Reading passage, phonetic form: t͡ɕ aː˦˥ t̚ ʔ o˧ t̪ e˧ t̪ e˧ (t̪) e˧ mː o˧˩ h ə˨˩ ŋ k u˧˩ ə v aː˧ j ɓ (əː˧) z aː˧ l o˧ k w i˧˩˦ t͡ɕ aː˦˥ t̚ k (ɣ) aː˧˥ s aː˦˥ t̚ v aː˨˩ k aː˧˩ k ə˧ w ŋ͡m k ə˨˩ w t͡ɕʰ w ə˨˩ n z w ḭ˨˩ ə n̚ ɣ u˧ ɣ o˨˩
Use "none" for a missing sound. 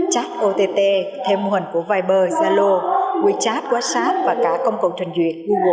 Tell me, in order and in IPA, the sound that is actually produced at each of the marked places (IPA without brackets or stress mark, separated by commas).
t̪ʰ, əː˧, w